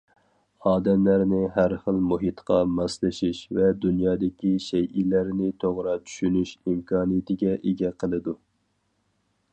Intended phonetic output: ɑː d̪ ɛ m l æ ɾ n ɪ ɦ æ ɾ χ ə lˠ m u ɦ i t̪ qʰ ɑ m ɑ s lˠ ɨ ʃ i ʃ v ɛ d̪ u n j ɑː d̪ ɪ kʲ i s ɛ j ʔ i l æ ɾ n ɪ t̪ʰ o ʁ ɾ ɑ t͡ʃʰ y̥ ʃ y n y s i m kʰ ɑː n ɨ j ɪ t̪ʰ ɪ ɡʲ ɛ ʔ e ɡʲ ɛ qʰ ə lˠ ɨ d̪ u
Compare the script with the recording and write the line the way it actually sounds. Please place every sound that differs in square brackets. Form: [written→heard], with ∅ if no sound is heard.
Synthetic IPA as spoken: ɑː d̪ ɛ m l æ ɾ n ɪ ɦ æ ɾ χ ə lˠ m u ɦ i t̪ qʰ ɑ m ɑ s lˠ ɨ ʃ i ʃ v ɛ d̪ u n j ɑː d̪ ɪ kʲ i [s→ʃ] ɛ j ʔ i l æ ɾ n ɪ t̪ʰ o ʁ ɾ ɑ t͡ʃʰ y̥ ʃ y n y [s→ʃ] i m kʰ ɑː n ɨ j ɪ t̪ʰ ɪ ɡʲ ɛ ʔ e ɡʲ ɛ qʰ ə lˠ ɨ d̪ u